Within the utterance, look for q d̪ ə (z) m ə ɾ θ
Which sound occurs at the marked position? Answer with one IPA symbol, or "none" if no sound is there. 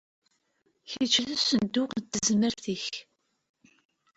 z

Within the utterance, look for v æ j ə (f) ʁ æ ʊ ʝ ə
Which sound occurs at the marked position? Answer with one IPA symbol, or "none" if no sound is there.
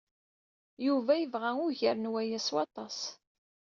v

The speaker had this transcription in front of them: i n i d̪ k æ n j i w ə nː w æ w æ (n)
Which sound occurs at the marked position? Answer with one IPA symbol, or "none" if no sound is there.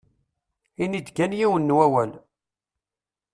n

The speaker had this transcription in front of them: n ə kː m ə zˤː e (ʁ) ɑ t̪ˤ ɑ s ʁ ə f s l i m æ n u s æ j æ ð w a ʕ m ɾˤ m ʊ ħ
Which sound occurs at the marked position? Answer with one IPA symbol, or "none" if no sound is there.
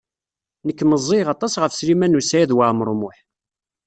ʁ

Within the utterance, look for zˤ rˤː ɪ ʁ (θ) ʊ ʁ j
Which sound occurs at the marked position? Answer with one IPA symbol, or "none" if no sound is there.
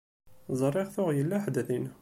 θ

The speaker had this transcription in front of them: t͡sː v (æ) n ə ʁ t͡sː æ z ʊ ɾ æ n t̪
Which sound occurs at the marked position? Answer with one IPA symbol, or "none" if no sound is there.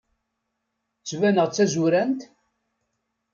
æ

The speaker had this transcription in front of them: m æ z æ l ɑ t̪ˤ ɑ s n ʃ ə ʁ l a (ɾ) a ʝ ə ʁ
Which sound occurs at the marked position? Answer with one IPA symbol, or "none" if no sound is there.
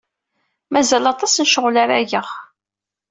ɾ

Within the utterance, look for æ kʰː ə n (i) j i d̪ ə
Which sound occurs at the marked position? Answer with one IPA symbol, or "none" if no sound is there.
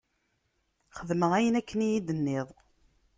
i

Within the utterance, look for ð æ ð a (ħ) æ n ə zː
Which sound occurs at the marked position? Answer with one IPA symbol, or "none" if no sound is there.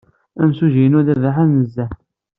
ħ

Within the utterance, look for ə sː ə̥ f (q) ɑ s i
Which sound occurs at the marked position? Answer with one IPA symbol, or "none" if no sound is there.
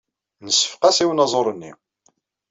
q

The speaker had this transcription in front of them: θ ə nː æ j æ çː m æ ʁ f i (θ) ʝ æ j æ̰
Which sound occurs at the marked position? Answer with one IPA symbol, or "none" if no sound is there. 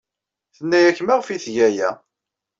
θ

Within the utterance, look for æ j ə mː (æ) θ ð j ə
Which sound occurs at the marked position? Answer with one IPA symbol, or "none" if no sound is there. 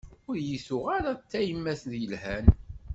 æ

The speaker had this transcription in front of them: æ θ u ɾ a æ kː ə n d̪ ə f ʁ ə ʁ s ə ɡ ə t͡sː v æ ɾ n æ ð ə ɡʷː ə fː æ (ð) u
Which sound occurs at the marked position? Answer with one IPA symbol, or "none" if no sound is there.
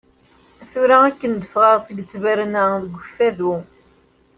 ð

